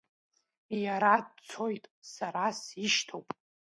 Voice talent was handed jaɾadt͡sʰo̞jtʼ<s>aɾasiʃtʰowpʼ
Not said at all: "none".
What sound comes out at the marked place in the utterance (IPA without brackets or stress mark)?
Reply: s